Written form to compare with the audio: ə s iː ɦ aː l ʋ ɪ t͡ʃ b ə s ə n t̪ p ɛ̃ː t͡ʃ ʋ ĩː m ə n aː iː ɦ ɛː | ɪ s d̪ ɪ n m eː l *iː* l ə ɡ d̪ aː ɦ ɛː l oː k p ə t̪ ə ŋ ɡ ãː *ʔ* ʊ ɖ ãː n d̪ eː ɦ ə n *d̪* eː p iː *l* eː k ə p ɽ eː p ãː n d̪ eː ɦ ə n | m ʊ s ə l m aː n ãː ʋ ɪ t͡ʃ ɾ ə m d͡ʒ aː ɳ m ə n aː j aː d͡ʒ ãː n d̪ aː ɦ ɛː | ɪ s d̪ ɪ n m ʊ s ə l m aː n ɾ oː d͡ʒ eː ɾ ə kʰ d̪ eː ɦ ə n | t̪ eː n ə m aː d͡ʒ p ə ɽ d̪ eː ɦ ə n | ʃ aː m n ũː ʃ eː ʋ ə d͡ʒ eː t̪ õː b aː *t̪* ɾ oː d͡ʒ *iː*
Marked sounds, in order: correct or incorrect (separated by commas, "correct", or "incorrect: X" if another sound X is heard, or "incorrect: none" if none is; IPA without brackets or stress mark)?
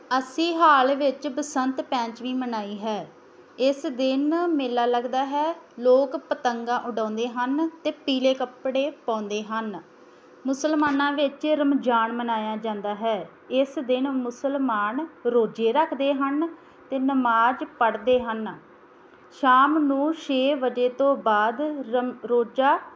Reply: incorrect: aː, correct, incorrect: t̪, correct, incorrect: d̪, incorrect: aː